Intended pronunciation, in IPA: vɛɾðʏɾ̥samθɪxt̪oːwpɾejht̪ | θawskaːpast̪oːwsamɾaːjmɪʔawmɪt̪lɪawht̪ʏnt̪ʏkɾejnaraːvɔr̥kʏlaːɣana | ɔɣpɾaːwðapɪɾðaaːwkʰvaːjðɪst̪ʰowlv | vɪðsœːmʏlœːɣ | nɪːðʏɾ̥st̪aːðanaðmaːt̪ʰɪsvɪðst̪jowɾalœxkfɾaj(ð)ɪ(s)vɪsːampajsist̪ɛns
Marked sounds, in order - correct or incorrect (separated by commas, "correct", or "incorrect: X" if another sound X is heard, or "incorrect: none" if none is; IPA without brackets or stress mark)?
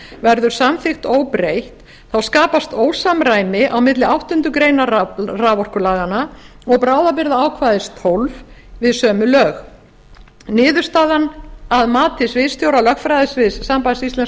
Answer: correct, correct